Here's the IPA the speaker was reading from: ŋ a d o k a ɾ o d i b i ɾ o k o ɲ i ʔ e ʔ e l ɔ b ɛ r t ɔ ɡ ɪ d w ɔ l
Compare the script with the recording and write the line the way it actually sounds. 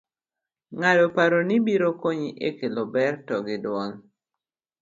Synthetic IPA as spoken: ŋ a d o p a ɾ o n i b i ɾ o k o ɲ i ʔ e k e l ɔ b ɛ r t ɔ ɡ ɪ d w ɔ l